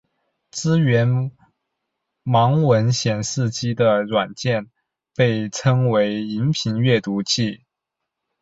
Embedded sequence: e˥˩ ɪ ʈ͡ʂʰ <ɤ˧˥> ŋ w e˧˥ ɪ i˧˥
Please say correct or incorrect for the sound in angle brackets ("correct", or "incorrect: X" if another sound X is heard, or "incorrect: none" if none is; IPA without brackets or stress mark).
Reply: incorrect: ɤ˥